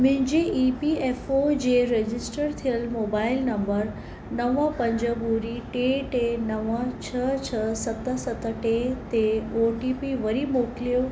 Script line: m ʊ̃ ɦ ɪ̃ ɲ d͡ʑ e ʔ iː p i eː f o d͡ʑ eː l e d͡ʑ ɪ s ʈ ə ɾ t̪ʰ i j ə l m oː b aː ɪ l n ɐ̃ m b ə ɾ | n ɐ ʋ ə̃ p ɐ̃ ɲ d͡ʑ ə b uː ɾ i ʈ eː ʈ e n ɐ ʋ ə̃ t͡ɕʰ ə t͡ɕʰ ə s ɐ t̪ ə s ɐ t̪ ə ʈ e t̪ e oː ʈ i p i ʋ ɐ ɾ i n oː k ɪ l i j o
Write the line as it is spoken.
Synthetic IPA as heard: m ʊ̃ ɦ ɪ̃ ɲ d͡ʑ e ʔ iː p i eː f o d͡ʑ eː ɾ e d͡ʑ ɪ s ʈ ə ɾ t̪ʰ i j ə l m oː b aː ɪ l n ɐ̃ m b ə ɾ | n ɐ ʋ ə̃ p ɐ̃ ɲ d͡ʑ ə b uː ɾ i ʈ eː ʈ e n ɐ ʋ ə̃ t͡ɕʰ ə t͡ɕʰ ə s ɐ t̪ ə s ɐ t̪ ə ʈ e t̪ e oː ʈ i p i ʋ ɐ ɾ i m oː k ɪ l i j o